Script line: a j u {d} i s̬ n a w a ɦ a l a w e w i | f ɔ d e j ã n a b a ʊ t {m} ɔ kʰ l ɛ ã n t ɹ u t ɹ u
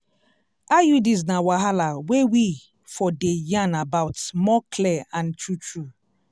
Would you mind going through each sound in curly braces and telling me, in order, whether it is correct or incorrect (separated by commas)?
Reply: correct, correct